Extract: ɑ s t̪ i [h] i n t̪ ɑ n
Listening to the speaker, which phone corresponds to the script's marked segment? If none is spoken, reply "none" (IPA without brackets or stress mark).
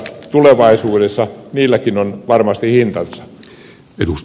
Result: h